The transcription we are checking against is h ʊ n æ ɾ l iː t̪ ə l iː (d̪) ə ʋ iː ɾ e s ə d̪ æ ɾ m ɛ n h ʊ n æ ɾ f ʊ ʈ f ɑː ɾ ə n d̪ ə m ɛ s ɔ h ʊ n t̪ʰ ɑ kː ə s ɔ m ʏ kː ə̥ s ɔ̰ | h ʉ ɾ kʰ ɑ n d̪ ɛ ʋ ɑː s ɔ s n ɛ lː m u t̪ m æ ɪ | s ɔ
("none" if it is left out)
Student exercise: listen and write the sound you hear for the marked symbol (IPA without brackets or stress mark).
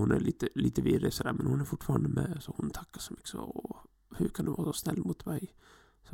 t̪